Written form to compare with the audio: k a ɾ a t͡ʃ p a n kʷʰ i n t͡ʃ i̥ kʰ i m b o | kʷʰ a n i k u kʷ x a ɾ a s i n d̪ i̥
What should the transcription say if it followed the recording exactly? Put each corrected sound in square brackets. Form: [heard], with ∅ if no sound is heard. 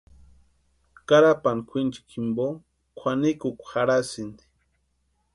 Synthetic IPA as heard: k a ɾ a [∅] p a n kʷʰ i n t͡ʃ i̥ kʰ i m b o | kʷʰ a n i k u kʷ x a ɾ a s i n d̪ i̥